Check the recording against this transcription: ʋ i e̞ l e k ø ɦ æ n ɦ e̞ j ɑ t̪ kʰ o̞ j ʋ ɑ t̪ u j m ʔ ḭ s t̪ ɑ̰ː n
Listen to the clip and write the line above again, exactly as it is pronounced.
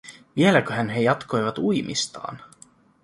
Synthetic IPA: ʋ i e̞ l æ k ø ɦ æ n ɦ e̞ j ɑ t̪ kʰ o̞ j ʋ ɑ t̪ u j m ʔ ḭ s t̪ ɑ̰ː n